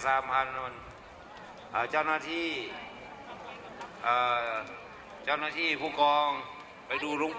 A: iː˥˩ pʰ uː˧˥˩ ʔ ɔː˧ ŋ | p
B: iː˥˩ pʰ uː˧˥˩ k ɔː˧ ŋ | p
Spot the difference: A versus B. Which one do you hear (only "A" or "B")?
B